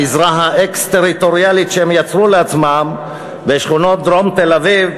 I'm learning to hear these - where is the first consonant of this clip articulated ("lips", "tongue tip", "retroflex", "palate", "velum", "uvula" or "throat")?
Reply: tongue tip